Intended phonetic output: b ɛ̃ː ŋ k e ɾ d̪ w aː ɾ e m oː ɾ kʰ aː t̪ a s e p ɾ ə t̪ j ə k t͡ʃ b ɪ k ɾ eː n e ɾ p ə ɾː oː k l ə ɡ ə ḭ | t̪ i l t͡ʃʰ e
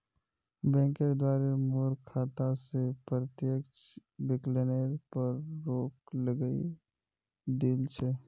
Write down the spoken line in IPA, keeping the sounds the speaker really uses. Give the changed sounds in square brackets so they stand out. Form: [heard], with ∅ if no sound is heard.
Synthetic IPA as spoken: b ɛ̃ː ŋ k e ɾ d̪ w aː ɾ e m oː ɾ kʰ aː t̪ a s e p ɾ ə t̪ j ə k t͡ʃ b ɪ k [l] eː n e ɾ p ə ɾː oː k l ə ɡ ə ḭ | [d̪] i l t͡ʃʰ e